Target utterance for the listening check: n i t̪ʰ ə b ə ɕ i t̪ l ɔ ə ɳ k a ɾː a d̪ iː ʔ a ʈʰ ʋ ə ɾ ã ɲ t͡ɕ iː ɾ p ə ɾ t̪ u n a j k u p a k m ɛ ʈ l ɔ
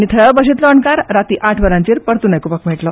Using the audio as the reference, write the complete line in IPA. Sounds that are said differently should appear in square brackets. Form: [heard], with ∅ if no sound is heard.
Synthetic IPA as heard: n i t̪ʰ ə b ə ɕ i t̪ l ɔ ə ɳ k a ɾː a [t̪] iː ʔ a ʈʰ ʋ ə ɾ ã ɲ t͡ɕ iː ɾ p ə ɾ t̪ u n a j k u p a k m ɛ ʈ l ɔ

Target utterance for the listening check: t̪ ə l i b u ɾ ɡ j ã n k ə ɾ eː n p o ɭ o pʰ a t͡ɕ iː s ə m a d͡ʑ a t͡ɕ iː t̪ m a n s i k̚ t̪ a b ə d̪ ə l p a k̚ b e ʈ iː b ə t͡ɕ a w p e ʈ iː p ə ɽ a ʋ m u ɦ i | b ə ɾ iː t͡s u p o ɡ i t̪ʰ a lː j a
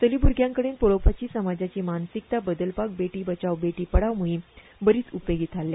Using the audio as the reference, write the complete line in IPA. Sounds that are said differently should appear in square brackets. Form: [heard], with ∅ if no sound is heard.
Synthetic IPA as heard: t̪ ə l i b u ɾ ɡ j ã [ŋ] k ə [ɽ] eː n p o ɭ o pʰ a t͡ɕ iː s ə m a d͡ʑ a t͡ɕ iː [∅] m a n s i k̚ t̪ a b ə d̪ ə l p a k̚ b e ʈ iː b ə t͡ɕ a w [b] e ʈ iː p ə ɽ a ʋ m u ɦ i | b ə ɾ iː t͡s u p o ɡ i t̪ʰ a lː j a

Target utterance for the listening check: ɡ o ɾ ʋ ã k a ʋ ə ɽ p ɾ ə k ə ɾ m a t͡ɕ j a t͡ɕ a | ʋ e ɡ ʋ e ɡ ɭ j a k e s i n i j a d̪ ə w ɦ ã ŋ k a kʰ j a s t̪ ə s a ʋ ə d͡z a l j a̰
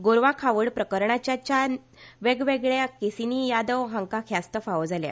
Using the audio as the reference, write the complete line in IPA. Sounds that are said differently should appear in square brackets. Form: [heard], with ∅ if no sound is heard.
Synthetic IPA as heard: ɡ o ɾ ʋ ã [kʰ] a ʋ ə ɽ p ɾ ə k ə ɾ [ɳ] a t͡ɕ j a t͡ɕ a | ʋ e ɡ ʋ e ɡ ɭ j a k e s i n i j a d̪ ə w ɦ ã ŋ k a kʰ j a s t̪ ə [f] a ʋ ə d͡z a l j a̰

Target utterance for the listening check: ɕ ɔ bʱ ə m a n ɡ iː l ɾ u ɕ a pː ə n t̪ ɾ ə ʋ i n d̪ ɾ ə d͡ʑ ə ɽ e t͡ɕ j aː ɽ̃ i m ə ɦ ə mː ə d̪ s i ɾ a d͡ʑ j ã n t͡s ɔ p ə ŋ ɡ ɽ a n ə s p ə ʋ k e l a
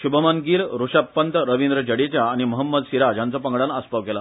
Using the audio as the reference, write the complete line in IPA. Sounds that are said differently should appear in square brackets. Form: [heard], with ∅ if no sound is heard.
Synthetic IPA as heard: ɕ [u] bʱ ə m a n ɡ iː l ɾ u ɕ a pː ə n t̪ ɾ ə ʋ i n d̪ ɾ ə d͡ʑ ə ɽ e t͡ɕ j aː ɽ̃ i m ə ɦ ə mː ə d̪ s i ɾ a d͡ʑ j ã n t͡s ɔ p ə ŋ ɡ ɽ a n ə s p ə ʋ k e l a

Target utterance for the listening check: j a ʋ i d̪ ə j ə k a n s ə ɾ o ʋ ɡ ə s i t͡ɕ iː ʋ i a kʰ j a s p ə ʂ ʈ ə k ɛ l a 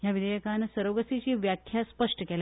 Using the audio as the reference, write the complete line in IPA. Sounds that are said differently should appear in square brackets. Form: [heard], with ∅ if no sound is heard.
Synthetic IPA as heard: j a ʋ i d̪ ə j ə k a n s ə ɾ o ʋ ɡ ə s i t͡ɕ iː ʋ [j] a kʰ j a s p ə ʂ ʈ ə k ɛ l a

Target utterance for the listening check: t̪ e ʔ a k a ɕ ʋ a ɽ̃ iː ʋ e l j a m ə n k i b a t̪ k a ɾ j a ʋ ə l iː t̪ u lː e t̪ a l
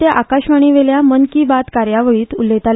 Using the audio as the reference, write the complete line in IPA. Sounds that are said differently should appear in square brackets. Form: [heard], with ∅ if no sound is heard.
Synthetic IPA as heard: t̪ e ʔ a k a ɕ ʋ a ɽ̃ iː ʋ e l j a m ə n k i b a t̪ k a ɾ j a ʋ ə [ɭ] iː t̪ u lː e t̪ a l

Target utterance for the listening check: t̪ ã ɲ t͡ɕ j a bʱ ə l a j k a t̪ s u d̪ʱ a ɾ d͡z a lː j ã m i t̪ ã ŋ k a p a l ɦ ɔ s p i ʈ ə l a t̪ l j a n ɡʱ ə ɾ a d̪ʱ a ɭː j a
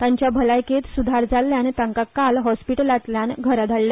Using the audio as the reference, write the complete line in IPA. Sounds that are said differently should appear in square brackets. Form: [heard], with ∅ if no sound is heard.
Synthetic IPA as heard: t̪ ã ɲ t͡ɕ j a bʱ ə l a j k [e] t̪ s u d̪ʱ a ɾ d͡z a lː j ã [n] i t̪ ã ŋ k a [k] a l ɦ ɔ s p i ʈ ə l a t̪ l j a n ɡʱ ə ɾ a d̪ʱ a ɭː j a

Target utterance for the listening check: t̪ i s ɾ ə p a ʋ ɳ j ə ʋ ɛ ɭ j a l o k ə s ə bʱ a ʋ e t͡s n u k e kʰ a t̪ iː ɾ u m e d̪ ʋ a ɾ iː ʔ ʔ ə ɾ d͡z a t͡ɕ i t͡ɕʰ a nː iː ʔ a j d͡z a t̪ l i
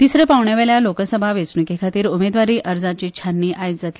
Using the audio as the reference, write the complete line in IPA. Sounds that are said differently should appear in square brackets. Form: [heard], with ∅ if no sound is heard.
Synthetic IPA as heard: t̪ i s ɾ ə p a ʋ ɳ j [a] ʋ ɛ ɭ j a l o k ə s ə bʱ a ʋ e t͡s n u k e kʰ a t̪ iː ɾ u m e d̪ ʋ a ɾ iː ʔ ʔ ə ɾ d͡z a t͡ɕ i t͡ɕʰ a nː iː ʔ a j d͡z a t̪ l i

